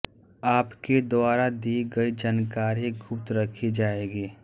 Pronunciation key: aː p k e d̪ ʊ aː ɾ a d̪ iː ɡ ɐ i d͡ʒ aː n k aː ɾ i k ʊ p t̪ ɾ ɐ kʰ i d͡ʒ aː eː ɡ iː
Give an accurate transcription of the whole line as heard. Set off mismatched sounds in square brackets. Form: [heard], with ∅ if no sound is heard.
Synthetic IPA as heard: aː p k e d̪ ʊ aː ɾ a d̪ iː ɡ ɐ i d͡ʒ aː n k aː ɾ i [ɡ] ʊ p t̪ ɾ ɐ kʰ i d͡ʒ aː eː ɡ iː